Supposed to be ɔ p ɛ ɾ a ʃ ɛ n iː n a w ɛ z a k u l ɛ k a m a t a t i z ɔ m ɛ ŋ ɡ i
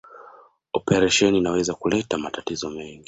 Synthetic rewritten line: ɔ p ɛ ɾ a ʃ ɛ n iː n a w ɛ z a k u l ɛ t a m a t a t i z ɔ m ɛ ŋ ɡ i